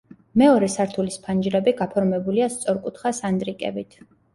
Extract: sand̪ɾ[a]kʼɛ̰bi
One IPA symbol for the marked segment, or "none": i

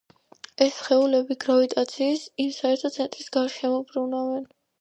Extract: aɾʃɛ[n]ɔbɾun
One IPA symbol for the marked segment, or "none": m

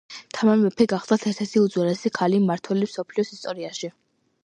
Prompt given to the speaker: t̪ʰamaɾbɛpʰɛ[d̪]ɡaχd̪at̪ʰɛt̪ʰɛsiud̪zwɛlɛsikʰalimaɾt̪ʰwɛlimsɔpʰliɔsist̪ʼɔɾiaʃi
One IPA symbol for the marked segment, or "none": none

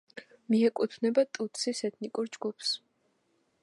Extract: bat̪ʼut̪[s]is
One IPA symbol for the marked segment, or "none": s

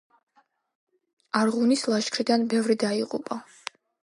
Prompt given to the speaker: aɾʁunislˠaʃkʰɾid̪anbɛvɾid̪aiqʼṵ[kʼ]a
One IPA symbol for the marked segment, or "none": pʼ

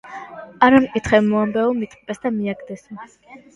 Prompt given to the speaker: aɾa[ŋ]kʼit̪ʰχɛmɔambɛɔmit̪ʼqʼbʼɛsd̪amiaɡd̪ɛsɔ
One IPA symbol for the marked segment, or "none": m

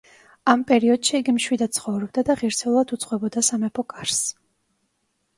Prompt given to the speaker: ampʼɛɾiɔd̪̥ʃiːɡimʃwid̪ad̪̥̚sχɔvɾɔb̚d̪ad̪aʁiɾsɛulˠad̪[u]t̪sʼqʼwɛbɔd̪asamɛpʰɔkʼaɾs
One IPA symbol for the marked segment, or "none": u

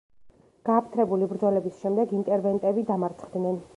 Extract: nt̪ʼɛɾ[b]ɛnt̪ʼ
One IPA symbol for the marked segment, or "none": v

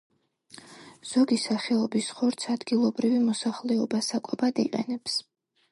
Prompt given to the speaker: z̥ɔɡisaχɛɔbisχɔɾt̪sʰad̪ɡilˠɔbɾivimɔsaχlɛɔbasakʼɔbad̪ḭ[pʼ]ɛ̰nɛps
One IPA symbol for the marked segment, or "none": qʼ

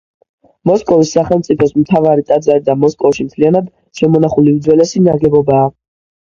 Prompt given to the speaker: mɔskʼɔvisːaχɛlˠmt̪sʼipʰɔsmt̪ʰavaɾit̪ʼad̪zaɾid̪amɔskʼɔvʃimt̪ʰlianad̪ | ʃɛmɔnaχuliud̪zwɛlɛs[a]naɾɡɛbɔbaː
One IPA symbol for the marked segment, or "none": i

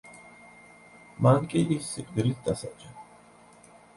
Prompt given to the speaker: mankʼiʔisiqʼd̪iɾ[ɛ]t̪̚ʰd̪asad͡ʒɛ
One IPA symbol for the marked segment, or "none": i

